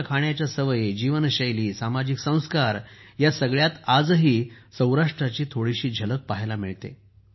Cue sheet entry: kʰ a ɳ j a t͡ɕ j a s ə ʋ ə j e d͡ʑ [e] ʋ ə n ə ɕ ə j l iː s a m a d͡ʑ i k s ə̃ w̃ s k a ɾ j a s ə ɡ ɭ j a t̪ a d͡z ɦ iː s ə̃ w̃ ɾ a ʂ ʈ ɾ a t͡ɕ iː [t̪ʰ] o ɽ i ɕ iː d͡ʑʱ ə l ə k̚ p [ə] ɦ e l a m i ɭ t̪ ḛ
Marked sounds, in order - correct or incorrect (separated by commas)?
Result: incorrect, correct, incorrect